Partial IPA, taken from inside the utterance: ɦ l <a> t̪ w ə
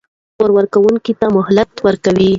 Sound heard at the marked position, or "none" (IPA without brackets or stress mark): a